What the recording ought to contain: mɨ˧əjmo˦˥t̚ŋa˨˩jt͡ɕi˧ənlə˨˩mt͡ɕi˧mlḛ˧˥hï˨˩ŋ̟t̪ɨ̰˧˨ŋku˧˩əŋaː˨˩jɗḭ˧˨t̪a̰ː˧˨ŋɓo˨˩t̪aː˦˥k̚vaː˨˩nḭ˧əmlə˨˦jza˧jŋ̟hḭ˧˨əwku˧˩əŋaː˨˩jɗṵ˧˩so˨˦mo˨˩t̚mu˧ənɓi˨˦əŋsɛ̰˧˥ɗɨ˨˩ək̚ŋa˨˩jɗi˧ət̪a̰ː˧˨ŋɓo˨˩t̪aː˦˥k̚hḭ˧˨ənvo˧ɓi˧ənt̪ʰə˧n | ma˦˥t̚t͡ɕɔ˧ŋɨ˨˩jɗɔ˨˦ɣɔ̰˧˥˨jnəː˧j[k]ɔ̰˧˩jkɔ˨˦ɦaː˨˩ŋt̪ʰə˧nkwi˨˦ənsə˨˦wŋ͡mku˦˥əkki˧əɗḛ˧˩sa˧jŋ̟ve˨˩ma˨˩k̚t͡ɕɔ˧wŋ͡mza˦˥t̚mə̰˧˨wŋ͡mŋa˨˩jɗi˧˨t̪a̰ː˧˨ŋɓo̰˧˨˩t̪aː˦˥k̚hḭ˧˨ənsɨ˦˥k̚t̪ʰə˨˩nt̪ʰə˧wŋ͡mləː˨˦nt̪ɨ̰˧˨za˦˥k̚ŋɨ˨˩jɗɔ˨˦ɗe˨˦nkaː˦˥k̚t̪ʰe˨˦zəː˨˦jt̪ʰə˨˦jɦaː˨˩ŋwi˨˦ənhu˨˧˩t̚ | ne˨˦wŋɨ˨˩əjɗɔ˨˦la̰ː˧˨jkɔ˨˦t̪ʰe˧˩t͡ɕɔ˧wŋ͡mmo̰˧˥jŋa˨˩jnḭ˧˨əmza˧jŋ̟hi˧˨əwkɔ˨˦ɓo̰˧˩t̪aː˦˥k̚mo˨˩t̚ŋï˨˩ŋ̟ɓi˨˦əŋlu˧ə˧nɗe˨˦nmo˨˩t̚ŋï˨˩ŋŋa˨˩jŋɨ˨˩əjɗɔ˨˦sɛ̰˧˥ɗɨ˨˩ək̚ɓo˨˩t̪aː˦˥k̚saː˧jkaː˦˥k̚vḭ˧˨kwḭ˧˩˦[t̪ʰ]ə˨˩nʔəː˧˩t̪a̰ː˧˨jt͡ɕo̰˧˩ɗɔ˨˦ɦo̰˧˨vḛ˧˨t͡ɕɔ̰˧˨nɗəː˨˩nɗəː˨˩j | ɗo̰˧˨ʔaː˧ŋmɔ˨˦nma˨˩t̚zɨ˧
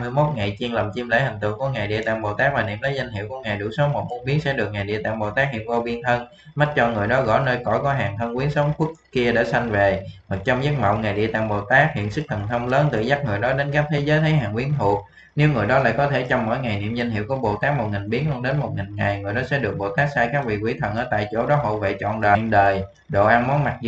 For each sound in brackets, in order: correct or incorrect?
correct, correct

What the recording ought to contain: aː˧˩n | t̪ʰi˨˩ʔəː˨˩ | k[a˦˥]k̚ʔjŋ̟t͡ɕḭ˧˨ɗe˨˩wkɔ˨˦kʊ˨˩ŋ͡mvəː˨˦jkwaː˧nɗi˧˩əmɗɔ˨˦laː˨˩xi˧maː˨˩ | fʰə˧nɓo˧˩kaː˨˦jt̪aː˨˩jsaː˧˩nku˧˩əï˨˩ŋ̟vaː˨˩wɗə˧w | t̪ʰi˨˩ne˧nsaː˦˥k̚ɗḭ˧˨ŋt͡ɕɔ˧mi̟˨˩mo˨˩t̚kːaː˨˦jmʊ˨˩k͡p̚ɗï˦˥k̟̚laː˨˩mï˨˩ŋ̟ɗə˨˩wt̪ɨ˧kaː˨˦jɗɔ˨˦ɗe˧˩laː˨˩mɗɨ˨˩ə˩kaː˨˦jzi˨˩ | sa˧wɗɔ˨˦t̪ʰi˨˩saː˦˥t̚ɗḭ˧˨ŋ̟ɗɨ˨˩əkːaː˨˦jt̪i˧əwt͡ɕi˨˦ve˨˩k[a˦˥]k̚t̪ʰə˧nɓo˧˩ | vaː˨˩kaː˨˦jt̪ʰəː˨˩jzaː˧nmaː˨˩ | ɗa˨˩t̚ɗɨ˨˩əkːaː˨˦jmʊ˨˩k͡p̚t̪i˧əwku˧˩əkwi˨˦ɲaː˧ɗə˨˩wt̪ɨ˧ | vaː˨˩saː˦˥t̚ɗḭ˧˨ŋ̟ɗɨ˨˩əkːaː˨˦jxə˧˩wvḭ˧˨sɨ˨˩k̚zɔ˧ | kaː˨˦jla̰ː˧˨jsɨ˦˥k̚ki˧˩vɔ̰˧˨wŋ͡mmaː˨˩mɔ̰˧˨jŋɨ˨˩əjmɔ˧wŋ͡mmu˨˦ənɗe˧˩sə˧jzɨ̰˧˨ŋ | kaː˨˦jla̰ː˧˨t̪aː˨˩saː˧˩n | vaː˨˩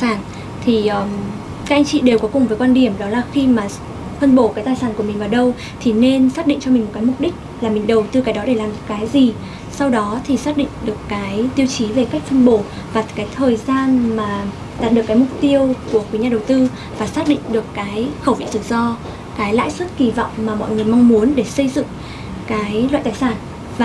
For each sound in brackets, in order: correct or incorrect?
correct, correct

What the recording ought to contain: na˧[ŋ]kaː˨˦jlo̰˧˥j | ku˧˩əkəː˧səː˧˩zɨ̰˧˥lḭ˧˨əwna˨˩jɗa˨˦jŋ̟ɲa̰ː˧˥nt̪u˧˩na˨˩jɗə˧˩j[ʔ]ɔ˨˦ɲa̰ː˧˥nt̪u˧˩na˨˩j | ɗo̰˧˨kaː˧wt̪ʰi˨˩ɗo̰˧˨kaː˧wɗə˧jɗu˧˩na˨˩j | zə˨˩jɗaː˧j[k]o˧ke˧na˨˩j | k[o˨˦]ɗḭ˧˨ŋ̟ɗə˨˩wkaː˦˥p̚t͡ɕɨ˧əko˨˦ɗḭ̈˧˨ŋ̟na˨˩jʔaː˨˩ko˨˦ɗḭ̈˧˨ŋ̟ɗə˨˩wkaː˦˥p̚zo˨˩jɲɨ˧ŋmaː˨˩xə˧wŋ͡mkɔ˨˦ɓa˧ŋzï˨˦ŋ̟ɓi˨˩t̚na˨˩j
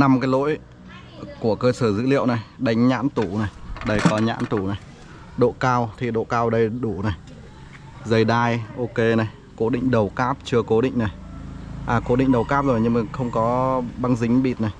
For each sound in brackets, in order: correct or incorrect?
incorrect: m, incorrect: k, incorrect: ʔ, correct

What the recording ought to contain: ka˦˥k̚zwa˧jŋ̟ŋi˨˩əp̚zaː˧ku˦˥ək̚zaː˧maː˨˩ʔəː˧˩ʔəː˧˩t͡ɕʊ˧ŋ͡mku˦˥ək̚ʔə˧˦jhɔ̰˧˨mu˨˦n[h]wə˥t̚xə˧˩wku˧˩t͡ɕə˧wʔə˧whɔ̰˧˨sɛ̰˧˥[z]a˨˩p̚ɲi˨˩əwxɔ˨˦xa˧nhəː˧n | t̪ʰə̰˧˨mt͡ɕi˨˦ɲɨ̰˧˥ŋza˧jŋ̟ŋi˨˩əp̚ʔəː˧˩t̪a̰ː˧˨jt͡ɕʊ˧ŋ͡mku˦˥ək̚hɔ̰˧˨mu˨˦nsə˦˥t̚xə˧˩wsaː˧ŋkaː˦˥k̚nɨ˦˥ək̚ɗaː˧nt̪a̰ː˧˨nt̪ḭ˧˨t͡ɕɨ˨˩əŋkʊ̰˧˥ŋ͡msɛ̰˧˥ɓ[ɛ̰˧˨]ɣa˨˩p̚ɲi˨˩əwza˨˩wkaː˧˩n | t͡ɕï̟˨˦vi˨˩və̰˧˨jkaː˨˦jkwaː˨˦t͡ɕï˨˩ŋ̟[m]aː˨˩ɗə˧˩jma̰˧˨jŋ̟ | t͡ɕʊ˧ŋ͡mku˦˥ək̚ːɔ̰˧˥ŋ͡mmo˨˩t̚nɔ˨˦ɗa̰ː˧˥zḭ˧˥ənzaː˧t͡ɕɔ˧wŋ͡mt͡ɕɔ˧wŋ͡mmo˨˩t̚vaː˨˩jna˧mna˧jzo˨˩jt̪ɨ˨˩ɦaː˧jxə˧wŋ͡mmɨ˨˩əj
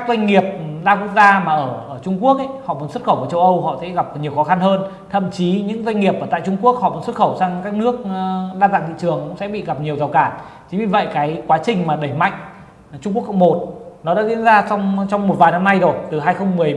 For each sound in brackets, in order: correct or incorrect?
incorrect: s, incorrect: ɣ, incorrect: ḭ˧˨, correct

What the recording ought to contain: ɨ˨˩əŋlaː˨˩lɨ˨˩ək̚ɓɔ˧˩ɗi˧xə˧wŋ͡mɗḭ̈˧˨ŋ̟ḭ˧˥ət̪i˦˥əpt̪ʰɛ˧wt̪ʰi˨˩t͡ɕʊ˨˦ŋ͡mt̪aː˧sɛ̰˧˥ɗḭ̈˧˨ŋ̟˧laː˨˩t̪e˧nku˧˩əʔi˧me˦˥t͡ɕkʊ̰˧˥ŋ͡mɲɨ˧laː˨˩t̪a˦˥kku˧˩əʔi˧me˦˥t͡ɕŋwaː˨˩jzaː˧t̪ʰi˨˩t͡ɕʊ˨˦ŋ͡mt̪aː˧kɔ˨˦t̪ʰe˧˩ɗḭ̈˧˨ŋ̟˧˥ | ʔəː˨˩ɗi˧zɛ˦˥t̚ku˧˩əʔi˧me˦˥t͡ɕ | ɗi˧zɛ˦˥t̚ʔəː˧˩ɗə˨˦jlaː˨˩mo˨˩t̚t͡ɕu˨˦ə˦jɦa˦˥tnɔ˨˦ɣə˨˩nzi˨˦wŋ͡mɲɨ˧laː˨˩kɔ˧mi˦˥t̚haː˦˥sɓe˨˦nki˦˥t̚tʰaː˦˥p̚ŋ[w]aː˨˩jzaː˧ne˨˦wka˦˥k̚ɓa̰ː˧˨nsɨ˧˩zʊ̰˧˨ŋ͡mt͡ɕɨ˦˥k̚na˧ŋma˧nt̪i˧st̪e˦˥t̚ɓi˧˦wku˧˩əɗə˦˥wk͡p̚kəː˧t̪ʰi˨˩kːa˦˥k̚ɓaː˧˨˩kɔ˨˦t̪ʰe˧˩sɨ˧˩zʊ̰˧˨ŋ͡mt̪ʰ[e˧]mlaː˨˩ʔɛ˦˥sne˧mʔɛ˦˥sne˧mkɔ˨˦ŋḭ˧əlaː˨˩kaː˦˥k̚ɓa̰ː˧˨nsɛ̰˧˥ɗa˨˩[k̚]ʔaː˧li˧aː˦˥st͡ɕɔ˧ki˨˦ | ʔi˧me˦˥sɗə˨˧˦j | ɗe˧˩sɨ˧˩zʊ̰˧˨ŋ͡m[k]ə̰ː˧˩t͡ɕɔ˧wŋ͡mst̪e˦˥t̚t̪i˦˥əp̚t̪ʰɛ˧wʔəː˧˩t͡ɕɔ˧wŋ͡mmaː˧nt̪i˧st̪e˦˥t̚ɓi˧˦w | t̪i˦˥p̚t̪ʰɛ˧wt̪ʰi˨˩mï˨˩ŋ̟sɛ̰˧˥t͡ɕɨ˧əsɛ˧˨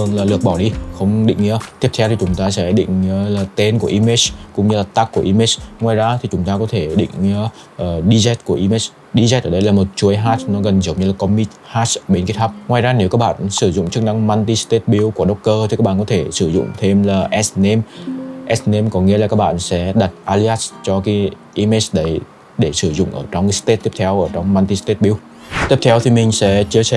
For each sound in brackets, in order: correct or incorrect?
correct, correct, incorrect: t̚, incorrect: ʔ

